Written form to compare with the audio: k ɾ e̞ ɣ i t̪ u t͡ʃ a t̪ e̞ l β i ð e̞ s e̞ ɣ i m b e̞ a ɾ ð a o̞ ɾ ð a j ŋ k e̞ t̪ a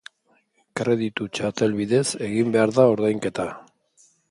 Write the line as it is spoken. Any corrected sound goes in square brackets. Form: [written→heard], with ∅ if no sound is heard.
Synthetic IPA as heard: k ɾ e̞ [ɣ→ð] i t̪ u t͡ʃ a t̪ e̞ l β i ð e̞ s e̞ ɣ i m b e̞ a ɾ ð a o̞ ɾ ð a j ŋ k e̞ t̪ a